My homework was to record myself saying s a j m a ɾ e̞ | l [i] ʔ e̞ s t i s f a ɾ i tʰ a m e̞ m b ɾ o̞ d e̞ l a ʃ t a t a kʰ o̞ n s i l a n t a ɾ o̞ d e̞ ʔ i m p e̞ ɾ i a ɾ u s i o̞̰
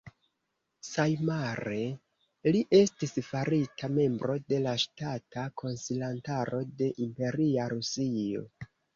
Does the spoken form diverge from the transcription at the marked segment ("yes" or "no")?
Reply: no